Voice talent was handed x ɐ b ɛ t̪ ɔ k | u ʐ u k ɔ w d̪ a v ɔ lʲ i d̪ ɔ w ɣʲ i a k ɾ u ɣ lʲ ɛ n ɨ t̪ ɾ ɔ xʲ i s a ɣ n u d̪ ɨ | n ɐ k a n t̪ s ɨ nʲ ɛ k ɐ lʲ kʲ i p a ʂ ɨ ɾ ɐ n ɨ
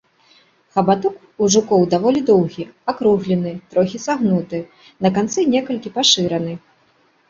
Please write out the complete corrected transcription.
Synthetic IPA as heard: x ɐ b a t̪ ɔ k | u ʐ u k ɔ w d̪ a v ɔ lʲ i d̪ ɔ w ɣʲ i a k ɾ u ɣ lʲ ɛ n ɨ t̪ ɾ ɔ xʲ i s a ɣ n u t̪ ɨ | n ɐ k a n t̪ s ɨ nʲ ɛ k ɐ lʲ kʲ i p a ʂ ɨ ɾ ɐ n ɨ